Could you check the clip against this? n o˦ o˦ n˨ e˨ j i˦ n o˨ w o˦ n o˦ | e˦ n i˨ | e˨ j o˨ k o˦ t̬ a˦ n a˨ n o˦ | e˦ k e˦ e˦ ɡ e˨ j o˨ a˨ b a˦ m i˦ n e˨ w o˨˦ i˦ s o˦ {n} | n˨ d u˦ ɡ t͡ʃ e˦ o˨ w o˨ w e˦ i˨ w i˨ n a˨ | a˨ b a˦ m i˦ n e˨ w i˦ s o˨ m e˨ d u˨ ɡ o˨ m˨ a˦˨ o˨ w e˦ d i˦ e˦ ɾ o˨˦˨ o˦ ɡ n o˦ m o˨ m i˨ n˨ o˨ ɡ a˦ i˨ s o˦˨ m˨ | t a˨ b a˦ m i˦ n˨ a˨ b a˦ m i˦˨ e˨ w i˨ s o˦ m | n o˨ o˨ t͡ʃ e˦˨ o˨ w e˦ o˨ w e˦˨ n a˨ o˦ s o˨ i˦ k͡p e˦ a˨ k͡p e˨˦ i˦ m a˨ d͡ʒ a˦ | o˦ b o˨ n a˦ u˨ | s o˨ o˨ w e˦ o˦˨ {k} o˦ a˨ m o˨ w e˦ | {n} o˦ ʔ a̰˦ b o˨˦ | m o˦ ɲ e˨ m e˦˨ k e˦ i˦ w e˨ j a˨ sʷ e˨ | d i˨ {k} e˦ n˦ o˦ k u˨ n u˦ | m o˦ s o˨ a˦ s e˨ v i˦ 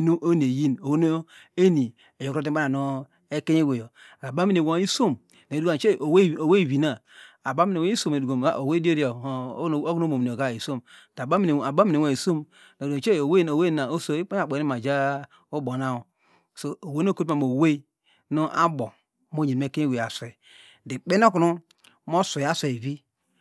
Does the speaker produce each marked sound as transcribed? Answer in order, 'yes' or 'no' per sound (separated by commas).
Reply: no, yes, yes, no